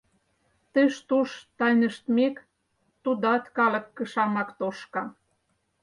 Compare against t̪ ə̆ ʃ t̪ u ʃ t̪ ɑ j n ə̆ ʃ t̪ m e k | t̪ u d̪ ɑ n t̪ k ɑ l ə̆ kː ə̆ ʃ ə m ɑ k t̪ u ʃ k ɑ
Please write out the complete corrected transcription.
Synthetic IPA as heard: t̪ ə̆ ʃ t̪ u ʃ t̪ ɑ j n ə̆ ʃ t̪ m e k | t̪ u d̪ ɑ t̪ k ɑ l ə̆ kː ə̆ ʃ ɑ m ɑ k t̪ o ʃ k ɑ